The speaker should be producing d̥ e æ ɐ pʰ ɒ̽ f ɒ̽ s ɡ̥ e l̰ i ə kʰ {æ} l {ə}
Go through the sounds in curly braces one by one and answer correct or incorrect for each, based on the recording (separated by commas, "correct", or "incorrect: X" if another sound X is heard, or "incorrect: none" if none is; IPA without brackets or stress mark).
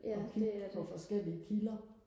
incorrect: i, incorrect: ɐ